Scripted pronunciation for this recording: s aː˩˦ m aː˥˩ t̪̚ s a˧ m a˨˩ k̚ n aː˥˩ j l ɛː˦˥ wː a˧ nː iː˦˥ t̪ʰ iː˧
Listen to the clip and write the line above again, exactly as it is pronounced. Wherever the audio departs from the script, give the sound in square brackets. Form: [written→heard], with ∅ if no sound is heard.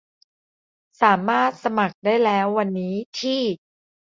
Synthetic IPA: s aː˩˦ m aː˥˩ t̪̚ s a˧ m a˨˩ k̚ [n→d] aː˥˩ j l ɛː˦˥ wː a˧ nː iː˦˥ t̪ʰ [iː˧→iː˥˩]